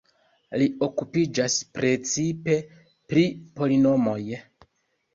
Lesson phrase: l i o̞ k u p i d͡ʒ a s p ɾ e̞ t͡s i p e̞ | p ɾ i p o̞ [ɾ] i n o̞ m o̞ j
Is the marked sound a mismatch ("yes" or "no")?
yes